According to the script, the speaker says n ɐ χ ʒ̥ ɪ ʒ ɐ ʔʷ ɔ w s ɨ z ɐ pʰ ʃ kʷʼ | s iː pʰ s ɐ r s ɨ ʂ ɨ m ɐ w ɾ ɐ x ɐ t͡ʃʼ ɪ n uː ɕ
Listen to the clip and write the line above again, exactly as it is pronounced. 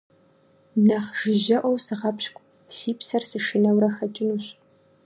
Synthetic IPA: n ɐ χ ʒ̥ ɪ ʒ ɐ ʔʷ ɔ w s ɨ ʁ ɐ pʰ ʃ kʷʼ | s iː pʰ s ɐ r s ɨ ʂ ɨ n ɐ w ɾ ɐ x ɐ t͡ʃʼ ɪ n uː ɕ

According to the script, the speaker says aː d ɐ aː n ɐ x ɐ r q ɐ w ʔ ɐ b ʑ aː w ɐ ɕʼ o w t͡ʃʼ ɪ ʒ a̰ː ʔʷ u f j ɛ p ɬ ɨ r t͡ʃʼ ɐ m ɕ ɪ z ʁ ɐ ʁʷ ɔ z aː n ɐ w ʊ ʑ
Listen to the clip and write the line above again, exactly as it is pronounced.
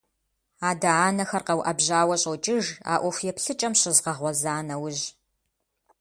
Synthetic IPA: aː d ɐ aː n ɐ x ɐ r q ɐ w ʔ ɐ b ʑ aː w ɐ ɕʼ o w t͡ʃʼ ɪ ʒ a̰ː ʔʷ ɔ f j ɛ p ɬ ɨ t͡ʃʼ ɐ m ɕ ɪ z ʁ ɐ ʁʷ ɔ z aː n ɐ w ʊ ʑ

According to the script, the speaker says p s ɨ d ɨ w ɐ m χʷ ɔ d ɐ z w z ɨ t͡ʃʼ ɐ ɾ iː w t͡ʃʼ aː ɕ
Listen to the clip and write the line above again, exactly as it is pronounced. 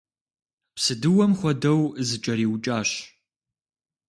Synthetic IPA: p s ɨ d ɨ w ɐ m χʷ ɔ d ɐ w z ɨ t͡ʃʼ ɐ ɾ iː w t͡ʃʼ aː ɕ

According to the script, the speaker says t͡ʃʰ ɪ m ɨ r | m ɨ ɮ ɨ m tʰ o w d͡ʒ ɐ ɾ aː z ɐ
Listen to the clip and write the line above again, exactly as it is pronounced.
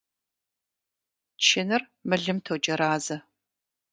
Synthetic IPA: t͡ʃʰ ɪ n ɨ r | m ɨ ɮ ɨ m tʰ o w d͡ʒ ɐ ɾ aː z ɐ

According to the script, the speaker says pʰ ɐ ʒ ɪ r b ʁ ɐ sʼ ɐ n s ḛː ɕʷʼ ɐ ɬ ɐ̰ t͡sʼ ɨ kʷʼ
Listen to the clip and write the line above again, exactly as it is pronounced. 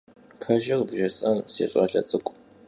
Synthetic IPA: pʰ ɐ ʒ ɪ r b ʒ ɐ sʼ ɐ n s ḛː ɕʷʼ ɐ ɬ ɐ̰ t͡sʼ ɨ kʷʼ

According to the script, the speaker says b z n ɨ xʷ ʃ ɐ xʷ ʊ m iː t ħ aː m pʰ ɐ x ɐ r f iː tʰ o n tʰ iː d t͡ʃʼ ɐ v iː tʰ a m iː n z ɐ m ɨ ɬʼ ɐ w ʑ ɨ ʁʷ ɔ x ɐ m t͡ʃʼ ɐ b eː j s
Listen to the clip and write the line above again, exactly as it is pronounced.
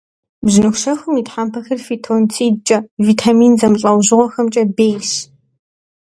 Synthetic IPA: b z n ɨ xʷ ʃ ɐ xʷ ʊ m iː t ħ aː m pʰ ɐ x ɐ r f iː tʰ o n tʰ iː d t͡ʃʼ ɐ v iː tʰ a m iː n z ɐ m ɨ ɬʼ ɐ w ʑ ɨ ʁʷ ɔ x ɐ m t͡ʃʼ ɐ b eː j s

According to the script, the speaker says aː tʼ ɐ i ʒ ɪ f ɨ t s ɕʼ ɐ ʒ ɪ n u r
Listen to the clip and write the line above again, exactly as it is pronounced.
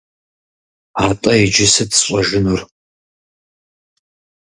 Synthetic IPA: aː tʼ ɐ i d͡ʒ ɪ s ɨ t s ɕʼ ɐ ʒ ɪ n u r

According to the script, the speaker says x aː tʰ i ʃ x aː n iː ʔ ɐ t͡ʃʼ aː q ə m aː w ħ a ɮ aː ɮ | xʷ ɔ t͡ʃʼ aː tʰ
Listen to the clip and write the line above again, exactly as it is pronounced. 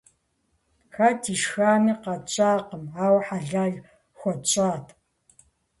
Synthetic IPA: x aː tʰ i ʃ x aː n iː q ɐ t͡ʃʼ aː q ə m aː w ħ a ɮ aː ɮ | xʷ ɔ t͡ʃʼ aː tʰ

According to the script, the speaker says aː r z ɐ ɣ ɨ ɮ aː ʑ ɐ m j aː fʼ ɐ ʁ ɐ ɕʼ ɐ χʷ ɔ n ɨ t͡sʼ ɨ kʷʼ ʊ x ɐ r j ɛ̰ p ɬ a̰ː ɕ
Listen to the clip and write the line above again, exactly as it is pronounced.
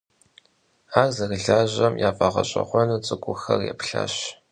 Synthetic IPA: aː r z ɐ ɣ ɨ ɮ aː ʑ ɐ m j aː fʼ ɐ ʁ ɐ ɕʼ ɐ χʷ ɔ n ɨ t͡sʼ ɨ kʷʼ ʊ x ɐ r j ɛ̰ p ɬ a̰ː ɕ

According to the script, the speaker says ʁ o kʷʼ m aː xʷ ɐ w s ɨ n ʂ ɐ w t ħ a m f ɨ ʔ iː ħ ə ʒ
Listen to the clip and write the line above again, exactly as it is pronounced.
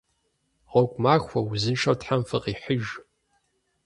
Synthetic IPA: ʁ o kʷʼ m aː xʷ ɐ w z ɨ n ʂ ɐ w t ħ a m f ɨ q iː ħ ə ʒ

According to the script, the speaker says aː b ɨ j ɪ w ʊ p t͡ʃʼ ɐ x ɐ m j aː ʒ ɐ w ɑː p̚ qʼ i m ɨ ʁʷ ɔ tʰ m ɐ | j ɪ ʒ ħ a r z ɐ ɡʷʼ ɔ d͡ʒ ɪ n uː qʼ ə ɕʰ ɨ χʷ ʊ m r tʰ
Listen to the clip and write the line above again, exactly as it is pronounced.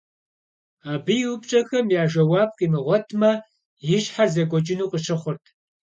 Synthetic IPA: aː b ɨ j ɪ w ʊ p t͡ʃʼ ɐ x ɐ m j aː ʒ ɐ w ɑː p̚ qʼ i m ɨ ʁʷ ɔ tʰ m ɐ | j ɪ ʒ ħ a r z ɐ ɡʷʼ ɔ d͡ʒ ɪ n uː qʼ ə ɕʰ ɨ χʷ ʊ r tʰ

